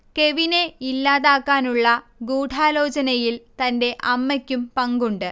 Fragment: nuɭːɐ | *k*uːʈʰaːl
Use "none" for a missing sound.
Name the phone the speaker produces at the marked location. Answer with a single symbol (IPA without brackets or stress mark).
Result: ɡ